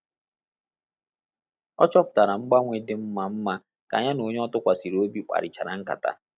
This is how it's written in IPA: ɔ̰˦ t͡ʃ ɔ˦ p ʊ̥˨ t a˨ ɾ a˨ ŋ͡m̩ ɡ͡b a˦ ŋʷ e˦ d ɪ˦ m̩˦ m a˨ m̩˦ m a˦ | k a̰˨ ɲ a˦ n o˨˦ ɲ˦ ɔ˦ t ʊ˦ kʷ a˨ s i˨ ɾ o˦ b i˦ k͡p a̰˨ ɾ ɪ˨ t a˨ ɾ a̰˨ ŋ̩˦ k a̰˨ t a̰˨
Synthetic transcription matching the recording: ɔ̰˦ t͡ʃ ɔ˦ p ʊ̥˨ t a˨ ɾ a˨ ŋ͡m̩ ɡ͡b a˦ ŋʷ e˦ d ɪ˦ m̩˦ m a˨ m̩˦ m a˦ | k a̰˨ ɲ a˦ n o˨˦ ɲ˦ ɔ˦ t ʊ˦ kʷ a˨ s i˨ ɾ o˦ b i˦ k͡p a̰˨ ɾ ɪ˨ t͡ʃ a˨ ɾ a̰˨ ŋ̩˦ k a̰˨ t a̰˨